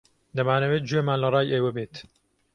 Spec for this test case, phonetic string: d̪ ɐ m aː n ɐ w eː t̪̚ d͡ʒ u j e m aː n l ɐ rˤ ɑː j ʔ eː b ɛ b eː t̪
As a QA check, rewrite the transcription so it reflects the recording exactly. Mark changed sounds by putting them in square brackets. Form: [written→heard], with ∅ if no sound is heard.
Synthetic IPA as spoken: d̪ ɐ m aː n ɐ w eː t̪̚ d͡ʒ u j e m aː n l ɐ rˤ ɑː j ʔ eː [b→w] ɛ b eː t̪